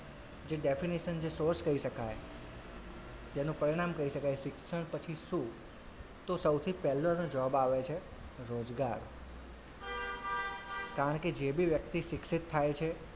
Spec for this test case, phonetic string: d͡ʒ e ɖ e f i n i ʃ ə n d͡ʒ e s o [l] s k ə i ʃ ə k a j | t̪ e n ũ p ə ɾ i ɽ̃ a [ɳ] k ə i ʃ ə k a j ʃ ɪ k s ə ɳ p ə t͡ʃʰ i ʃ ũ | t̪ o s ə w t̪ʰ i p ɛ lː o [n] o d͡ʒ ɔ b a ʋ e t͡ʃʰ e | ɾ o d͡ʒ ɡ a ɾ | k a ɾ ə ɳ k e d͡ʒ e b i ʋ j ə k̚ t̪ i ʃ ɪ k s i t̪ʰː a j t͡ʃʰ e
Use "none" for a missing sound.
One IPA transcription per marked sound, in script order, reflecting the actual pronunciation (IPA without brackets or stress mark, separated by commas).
ɾ, m, n